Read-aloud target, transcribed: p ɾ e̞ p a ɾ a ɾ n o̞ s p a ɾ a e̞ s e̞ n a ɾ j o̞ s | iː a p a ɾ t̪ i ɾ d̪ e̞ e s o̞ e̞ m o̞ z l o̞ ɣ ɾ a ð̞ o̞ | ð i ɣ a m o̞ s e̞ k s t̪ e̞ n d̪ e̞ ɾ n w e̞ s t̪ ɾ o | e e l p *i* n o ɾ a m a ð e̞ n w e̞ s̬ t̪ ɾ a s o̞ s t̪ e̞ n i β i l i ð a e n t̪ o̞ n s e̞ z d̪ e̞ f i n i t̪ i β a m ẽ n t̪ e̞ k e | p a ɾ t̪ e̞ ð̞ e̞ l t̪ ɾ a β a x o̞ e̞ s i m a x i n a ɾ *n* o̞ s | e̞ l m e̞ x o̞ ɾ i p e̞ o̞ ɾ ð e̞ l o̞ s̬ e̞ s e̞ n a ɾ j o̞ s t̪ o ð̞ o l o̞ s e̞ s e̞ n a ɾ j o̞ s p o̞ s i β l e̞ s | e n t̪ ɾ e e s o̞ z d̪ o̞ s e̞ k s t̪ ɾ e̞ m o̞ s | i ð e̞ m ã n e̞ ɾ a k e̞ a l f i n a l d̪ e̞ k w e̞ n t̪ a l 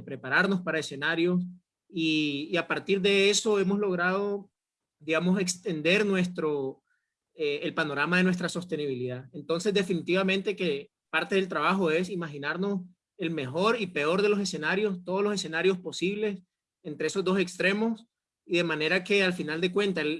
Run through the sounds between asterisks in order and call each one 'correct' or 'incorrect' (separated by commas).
incorrect, correct